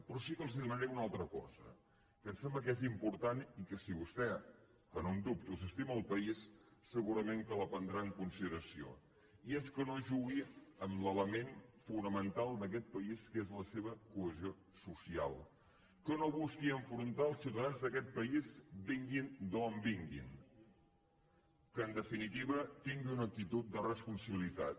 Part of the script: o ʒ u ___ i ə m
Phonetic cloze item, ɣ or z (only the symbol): ɣ